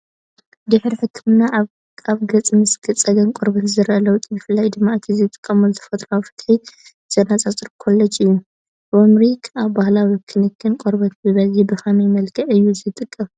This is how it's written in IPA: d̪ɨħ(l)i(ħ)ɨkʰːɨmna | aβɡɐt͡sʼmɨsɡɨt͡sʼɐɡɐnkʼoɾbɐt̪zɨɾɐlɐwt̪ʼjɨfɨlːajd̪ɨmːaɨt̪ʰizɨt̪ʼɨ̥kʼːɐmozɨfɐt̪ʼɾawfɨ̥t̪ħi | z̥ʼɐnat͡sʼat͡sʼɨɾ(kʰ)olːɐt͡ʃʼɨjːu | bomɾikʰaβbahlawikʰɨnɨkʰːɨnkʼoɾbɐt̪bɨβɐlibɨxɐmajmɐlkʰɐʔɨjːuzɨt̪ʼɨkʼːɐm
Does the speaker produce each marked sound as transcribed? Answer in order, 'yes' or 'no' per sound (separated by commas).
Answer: no, yes, yes